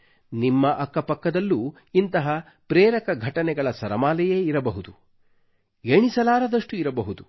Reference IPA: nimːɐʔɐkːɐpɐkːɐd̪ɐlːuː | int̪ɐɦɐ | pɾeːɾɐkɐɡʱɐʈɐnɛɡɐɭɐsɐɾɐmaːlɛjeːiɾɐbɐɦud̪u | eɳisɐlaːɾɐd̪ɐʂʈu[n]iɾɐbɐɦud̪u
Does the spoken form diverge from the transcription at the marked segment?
yes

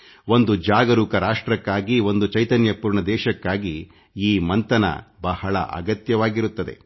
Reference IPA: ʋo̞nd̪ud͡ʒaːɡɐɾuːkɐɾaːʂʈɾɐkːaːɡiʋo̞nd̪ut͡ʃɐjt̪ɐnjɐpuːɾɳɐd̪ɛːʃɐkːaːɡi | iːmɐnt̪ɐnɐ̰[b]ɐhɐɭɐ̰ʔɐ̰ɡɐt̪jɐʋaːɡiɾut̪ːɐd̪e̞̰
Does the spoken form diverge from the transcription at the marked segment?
no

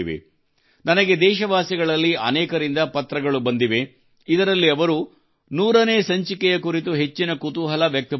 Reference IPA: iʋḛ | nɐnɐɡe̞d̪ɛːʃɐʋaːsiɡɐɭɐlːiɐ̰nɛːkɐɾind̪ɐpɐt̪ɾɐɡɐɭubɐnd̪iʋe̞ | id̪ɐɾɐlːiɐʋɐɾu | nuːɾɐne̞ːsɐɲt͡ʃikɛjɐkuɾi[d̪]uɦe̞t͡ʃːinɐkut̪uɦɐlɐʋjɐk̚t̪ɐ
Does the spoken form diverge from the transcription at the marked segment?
yes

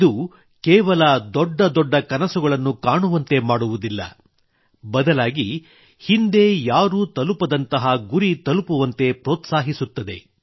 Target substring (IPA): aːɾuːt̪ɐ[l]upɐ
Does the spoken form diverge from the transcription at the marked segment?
no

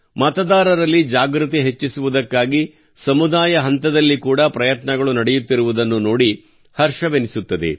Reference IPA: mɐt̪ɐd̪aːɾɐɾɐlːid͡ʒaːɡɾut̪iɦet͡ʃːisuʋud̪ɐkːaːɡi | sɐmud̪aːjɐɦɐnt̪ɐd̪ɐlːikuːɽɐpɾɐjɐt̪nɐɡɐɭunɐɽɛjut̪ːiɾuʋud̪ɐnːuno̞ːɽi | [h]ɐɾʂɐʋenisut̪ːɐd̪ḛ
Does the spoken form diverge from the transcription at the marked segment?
no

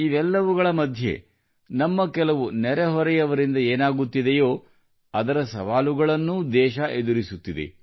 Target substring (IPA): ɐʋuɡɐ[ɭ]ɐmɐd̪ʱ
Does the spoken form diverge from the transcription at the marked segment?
no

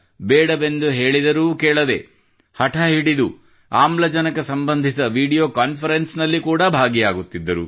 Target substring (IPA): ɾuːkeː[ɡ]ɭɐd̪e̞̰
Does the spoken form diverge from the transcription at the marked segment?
yes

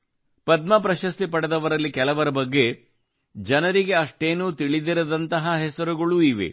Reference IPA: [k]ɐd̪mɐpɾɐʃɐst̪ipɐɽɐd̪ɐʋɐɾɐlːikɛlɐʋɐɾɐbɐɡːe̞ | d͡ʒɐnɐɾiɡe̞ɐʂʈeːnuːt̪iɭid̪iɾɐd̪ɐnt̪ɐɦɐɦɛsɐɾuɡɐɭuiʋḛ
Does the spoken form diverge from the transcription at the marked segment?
yes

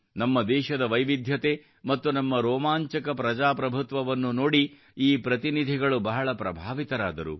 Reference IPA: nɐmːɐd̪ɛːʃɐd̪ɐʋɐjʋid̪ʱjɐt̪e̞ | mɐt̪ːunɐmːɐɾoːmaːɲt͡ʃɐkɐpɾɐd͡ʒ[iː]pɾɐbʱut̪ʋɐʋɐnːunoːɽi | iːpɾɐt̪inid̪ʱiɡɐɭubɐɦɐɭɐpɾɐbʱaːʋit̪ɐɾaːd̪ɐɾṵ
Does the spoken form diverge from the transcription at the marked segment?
yes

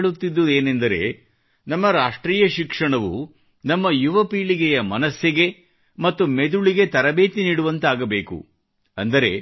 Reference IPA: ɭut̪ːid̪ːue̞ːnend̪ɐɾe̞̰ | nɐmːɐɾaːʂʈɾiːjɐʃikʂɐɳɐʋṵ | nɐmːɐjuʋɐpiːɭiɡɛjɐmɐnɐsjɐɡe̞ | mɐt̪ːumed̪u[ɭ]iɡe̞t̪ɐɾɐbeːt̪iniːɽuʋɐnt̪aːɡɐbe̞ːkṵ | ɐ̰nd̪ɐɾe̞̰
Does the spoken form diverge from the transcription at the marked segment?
no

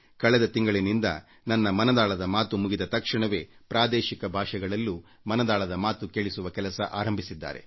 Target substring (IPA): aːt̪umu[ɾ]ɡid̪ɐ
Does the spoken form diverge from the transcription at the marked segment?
yes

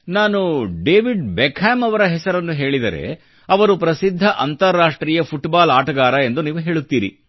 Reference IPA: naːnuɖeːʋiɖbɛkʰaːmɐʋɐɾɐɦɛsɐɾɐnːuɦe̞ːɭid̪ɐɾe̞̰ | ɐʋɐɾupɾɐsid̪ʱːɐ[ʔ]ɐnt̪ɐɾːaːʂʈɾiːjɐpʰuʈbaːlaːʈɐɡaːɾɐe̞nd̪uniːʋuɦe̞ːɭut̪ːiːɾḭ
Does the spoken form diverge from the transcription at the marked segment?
no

